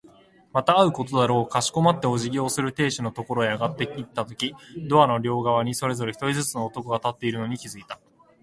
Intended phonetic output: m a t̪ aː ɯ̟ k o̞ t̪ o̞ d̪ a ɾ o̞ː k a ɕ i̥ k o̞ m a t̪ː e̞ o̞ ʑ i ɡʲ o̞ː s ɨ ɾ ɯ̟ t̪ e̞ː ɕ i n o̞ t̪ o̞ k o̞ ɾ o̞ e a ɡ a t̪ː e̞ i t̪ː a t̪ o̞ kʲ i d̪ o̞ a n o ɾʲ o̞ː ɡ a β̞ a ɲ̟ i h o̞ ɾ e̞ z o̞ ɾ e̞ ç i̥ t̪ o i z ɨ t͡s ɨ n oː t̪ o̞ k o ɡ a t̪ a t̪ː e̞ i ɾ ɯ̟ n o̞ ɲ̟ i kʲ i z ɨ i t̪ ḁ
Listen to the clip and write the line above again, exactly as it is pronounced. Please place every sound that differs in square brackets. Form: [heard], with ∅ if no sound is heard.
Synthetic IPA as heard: m a t̪ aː ɯ̟ k o̞ t̪ o̞ d̪ a ɾ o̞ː k a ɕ i̥ k o̞ m a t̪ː e̞ o̞ ʑ i ɡʲ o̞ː s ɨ ɾ ɯ̟ t̪ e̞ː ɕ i n o̞ t̪ o̞ k o̞ ɾ o̞ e a ɡ a t̪ː e̞ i t̪ː a t̪ o̞ kʲ i d̪ o̞ a n o ɾʲ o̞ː ɡ a β̞ a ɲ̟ i [s] o̞ ɾ e̞ z o̞ ɾ e̞ ç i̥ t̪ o i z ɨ t͡s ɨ n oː t̪ o̞ k o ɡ a t̪ a t̪ː e̞ i ɾ ɯ̟ n o̞ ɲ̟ i kʲ i z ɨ i t̪ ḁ

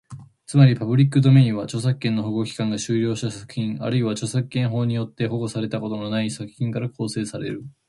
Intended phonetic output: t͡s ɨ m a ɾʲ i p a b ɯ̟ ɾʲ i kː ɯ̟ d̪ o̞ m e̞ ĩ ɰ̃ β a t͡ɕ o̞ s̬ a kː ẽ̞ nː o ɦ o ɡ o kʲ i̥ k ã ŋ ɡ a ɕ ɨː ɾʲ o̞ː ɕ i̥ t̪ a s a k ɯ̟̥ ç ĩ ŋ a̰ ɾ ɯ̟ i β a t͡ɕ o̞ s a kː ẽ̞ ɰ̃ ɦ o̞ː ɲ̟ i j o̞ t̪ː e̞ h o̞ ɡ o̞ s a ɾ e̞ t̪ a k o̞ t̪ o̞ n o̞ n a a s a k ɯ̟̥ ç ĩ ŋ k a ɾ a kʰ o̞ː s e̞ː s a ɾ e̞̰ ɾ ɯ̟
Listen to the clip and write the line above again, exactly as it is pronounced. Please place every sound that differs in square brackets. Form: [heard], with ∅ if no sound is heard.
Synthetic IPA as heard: t͡s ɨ m a ɾʲ i p a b ɯ̟ ɾʲ i kː ɯ̟ d̪ o̞ m e̞ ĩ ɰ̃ β a t͡ɕ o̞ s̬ a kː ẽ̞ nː o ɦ o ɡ o kʲ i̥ k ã ŋ ɡ a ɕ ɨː ɾʲ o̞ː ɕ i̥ t̪ a s a k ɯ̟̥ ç ĩ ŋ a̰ ɾ ɯ̟ i β a t͡ɕ o̞ s a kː ẽ̞ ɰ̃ ɦ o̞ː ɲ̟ i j o̞ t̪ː e̞ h o̞ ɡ o̞ s a ɾ e̞ t̪ a k o̞ t̪ o̞ n o̞ n a [i] s a k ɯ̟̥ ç ĩ ŋ k a ɾ a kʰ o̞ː s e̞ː s a ɾ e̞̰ ɾ ɯ̟

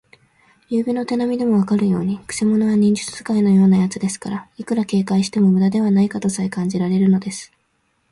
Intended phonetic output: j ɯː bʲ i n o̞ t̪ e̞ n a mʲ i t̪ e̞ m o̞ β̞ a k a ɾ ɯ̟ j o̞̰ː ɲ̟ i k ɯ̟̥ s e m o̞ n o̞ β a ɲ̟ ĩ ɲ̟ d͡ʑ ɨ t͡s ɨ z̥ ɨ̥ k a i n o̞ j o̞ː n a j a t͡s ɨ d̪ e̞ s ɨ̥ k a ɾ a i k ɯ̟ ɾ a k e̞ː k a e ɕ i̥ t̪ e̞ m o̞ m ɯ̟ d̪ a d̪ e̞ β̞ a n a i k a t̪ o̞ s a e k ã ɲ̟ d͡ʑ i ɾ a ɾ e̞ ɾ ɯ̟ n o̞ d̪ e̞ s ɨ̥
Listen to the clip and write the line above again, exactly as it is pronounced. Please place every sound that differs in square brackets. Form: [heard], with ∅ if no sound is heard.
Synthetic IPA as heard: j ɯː bʲ i n o̞ t̪ e̞ n a mʲ i [d̪] e̞ m o̞ β̞ a k a ɾ ɯ̟ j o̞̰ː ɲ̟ i k ɯ̟̥ s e m o̞ n o̞ β a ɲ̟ ĩ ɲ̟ d͡ʑ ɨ t͡s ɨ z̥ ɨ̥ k a i n o̞ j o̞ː n a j a t͡s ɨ d̪ e̞ s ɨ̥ k a ɾ a i k ɯ̟ ɾ a k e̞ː k a [i] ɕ i̥ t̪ e̞ m o̞ m ɯ̟ d̪ a d̪ e̞ β̞ a n a i k a t̪ o̞ s a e k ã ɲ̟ d͡ʑ i ɾ a ɾ e̞ ɾ ɯ̟ n o̞ d̪ e̞ s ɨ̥

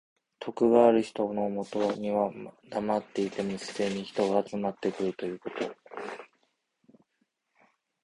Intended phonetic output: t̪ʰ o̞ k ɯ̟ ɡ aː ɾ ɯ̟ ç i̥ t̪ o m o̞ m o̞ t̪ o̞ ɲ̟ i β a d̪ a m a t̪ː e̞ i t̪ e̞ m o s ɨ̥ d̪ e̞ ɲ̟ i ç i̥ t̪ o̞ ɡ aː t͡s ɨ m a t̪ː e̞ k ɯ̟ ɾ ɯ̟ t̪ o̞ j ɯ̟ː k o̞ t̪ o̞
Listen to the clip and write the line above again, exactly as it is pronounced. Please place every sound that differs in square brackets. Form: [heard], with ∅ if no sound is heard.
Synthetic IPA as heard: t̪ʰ o̞ k ɯ̟ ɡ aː ɾ ɯ̟ ç i̥ t̪ o [n] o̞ m o̞ t̪ o̞ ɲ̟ i β a d̪ a m a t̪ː e̞ i t̪ e̞ m o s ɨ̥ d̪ e̞ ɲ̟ i ç i̥ t̪ o̞ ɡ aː t͡s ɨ m a t̪ː e̞ k ɯ̟ ɾ ɯ̟ t̪ o̞ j ɯ̟ː k o̞ t̪ o̞

